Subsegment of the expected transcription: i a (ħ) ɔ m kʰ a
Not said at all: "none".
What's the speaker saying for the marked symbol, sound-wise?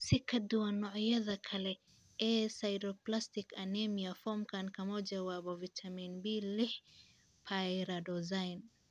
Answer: f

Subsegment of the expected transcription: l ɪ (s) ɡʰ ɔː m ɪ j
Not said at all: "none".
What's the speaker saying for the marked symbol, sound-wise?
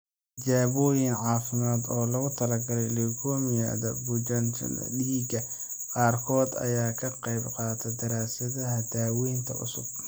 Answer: none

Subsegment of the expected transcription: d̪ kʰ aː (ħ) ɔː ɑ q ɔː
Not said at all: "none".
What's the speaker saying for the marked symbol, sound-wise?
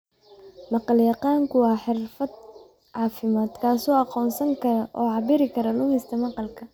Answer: s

